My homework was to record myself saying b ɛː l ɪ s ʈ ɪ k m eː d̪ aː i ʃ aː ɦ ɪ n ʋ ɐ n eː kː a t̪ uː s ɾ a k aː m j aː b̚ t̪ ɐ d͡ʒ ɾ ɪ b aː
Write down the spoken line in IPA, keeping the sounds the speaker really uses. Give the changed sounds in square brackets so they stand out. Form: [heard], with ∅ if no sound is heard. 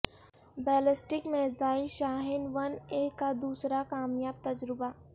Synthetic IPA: b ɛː l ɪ s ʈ ɪ k m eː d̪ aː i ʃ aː ɦ ɪ n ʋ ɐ n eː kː a [d̪] uː s ɾ a k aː m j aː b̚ t̪ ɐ d͡ʒ ɾ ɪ b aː